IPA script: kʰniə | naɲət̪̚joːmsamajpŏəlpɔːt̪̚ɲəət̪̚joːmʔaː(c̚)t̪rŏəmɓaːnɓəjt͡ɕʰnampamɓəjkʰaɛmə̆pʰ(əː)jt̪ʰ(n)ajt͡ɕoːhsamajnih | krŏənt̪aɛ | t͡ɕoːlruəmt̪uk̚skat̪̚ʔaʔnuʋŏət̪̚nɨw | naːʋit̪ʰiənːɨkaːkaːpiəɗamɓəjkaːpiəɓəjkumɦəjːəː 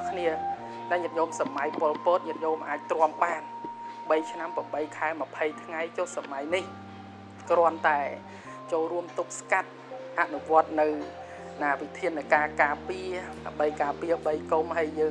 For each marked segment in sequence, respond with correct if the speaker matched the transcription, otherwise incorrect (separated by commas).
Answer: correct, incorrect, incorrect